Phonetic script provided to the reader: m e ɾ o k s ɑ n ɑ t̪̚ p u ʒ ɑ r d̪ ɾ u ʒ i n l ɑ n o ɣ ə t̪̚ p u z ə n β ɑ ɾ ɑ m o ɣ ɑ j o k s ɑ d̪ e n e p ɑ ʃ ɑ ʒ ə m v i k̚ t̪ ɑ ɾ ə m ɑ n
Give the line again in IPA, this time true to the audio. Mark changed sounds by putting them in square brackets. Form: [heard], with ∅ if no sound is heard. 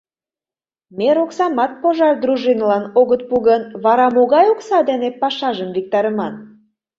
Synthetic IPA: m e ɾ o k s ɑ [m] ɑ t̪̚ p [o] ʒ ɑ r d̪ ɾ u ʒ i n l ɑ n o ɣ ə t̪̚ p u [ɣ] ə n β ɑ ɾ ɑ m o ɣ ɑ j o k s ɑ d̪ e n e p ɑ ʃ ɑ ʒ ə m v i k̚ t̪ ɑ ɾ ə m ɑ n